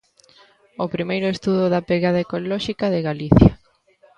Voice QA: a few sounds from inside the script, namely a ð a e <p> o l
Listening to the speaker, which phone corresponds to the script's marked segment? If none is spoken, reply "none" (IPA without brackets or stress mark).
k